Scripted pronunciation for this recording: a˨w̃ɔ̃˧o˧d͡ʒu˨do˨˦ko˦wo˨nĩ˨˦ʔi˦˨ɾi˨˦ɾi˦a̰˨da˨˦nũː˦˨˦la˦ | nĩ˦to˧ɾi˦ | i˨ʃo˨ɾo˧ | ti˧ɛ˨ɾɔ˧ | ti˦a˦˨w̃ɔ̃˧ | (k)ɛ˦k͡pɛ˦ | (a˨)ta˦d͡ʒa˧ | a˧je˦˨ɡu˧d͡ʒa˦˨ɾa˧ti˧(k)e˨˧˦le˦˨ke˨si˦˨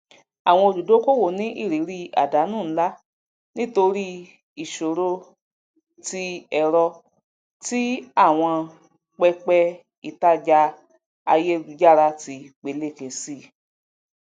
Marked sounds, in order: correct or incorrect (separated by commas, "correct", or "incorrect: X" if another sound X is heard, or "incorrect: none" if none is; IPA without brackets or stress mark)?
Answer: incorrect: k͡p, incorrect: i˨, incorrect: k͡p